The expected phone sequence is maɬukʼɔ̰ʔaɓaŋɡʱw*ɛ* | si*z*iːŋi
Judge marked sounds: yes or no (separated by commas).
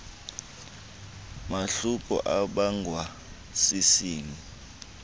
no, no